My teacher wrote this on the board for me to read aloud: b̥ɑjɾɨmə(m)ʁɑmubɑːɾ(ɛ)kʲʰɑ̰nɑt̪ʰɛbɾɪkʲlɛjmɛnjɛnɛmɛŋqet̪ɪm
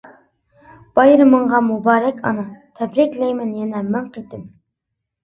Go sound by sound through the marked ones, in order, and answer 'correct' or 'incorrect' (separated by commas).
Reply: incorrect, correct